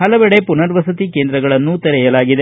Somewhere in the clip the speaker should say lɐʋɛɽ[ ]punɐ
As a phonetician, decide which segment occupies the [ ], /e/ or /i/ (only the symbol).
e